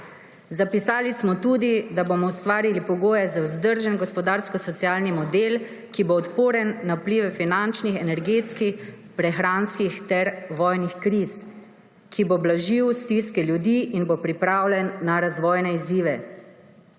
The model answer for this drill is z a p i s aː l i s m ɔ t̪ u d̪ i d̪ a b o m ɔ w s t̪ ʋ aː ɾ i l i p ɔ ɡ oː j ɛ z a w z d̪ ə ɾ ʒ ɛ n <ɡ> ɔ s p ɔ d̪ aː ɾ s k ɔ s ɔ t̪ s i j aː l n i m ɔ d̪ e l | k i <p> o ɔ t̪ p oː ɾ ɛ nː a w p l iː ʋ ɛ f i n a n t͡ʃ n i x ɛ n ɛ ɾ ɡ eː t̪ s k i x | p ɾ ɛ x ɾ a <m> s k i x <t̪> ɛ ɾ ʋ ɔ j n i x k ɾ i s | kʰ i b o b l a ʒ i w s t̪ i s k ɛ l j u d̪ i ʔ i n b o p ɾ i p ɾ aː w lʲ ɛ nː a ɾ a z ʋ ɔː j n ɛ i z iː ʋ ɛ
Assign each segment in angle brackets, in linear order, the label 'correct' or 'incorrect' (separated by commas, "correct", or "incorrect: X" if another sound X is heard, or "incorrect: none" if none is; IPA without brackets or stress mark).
correct, incorrect: b, incorrect: n, correct